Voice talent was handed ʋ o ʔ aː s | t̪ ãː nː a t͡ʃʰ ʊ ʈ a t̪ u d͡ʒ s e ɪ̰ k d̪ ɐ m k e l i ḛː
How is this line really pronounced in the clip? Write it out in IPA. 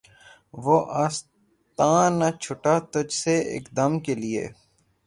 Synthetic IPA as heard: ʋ o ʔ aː s | t̪ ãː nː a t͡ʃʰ ʊ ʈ a t̪ ʊ d͡ʒ s e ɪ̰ k d̪ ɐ m k e l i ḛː